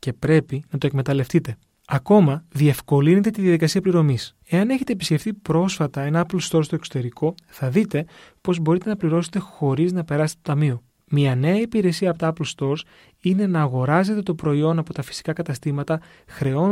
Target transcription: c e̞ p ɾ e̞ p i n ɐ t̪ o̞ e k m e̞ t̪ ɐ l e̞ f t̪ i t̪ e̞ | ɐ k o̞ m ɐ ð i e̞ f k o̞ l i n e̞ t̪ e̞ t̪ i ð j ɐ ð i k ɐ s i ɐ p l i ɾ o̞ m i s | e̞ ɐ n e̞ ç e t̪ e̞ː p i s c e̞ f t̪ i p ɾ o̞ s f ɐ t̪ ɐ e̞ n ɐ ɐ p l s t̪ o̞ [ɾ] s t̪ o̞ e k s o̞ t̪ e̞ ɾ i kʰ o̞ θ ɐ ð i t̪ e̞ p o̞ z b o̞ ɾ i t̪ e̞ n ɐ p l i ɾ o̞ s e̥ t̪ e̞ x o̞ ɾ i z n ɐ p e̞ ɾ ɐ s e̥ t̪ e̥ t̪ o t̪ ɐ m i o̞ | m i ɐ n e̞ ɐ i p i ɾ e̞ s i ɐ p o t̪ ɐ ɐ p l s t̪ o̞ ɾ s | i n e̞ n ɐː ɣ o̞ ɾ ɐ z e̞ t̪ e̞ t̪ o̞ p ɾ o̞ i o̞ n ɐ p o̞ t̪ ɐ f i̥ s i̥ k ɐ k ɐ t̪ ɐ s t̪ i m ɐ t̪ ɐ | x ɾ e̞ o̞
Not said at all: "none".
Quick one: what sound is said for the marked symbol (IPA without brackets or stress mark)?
ɾ